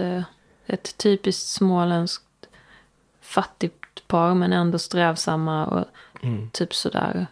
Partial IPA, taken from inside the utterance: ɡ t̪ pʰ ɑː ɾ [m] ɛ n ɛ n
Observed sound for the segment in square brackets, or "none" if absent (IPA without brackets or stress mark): m